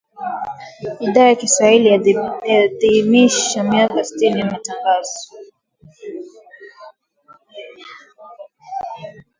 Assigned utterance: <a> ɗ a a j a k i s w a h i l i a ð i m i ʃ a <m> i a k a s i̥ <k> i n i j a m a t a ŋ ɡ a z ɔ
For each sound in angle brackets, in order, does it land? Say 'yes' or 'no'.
no, yes, no

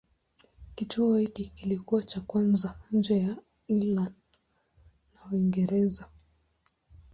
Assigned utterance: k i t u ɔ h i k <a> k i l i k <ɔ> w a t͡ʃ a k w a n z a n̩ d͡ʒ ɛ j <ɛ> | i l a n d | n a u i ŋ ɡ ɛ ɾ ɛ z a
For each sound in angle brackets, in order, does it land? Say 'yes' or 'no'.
no, no, no

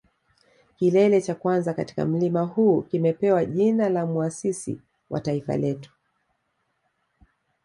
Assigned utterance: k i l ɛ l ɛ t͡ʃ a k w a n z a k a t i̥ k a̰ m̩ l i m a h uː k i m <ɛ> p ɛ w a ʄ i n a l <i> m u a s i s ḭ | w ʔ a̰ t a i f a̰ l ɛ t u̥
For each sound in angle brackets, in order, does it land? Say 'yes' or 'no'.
yes, no

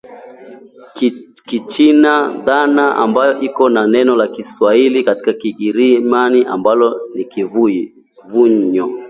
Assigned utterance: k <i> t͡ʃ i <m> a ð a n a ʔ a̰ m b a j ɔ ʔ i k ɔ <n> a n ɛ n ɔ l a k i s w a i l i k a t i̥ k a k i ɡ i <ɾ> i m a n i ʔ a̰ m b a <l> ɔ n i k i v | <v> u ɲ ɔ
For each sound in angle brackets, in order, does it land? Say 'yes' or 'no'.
yes, no, yes, yes, yes, yes

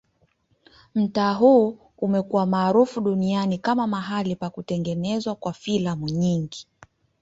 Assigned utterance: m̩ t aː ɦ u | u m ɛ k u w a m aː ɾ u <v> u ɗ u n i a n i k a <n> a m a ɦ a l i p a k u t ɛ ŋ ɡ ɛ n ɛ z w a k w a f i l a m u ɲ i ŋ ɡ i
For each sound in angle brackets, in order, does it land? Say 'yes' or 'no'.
no, no

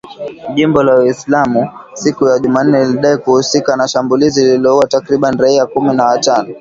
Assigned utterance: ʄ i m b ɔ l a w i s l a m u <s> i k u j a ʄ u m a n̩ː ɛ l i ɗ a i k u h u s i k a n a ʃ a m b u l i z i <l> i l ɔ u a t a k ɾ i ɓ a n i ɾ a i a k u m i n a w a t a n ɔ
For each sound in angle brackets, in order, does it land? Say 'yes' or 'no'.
yes, yes

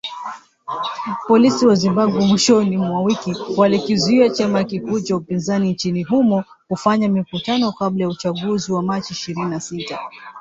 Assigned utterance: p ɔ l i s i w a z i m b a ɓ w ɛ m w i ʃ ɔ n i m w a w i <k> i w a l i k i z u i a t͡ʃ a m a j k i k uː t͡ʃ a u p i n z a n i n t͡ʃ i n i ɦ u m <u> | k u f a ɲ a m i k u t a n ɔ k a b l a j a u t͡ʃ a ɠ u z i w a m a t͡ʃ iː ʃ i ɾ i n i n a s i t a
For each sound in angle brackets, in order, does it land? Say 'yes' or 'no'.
yes, no

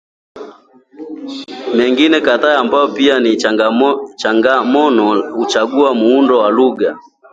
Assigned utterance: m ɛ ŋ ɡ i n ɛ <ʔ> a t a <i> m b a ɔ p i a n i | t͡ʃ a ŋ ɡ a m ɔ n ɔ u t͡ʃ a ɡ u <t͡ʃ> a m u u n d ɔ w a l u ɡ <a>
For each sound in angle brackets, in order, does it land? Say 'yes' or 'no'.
no, no, no, yes

